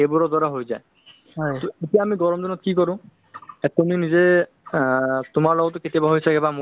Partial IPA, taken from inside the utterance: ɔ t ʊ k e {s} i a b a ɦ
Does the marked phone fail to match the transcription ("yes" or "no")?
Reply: yes